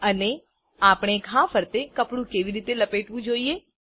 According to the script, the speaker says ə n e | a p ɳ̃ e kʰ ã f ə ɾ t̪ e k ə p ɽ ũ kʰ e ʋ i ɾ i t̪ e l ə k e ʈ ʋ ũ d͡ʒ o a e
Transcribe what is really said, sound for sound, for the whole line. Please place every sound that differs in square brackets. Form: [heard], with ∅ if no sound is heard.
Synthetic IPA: ə n e | a p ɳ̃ e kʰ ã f ə ɾ t̪ e k ə p ɽ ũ [k] e ʋ i ɾ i t̪ e l ə [p] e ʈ ʋ ũ d͡ʒ o [i] e